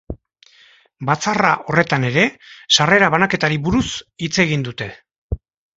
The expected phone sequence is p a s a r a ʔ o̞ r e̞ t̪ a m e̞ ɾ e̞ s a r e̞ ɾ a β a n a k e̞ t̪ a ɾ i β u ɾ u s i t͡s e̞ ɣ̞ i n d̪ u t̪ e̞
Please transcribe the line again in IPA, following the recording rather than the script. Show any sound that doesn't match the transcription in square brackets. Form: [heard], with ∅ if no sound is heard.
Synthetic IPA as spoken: [b] a [t͡s] a r a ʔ o̞ r e̞ t̪ a [n] e̞ ɾ e̞ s a r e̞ ɾ a β a n a k e̞ t̪ a ɾ i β u ɾ u s i t͡s e̞ ɣ̞ i n d̪ u t̪ e̞